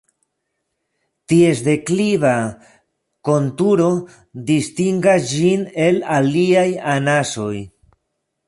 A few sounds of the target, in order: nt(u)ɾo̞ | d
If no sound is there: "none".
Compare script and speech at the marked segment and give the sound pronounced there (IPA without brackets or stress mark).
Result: u